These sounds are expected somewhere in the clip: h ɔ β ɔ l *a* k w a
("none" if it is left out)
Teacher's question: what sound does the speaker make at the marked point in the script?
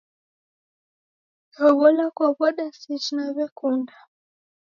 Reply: a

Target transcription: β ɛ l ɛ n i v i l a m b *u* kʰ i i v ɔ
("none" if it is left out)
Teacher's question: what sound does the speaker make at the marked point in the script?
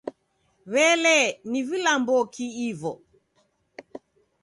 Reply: ɔ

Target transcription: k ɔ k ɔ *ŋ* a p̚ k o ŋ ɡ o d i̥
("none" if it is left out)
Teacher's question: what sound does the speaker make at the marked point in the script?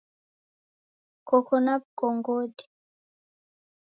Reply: n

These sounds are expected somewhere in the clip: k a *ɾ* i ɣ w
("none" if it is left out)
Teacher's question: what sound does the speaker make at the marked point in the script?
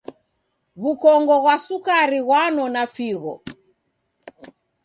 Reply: ɾ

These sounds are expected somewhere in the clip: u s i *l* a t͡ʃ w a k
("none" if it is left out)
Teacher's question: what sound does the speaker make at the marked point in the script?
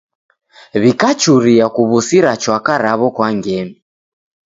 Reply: ɾ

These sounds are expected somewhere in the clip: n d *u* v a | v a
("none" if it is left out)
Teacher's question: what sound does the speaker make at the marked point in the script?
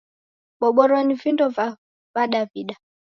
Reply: ɔ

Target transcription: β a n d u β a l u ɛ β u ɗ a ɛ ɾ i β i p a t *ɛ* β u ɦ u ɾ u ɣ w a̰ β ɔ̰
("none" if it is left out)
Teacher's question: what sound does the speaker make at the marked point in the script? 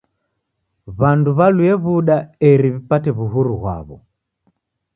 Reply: ɛ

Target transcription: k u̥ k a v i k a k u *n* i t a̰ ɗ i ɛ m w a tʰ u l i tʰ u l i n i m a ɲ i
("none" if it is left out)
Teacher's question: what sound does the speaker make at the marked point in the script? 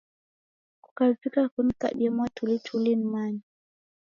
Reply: n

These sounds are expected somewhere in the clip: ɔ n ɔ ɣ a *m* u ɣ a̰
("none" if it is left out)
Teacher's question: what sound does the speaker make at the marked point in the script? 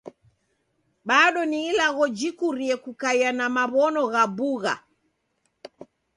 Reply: b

